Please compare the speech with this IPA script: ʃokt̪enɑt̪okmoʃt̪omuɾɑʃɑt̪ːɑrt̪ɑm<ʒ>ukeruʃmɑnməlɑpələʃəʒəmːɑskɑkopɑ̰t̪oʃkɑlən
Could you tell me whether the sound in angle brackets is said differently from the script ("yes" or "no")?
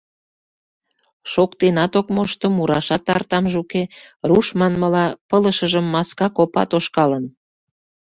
no